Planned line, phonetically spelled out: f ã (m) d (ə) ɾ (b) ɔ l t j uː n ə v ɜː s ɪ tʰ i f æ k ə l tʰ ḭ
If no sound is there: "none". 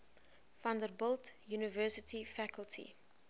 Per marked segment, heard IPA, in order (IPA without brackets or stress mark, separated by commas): n, ə, b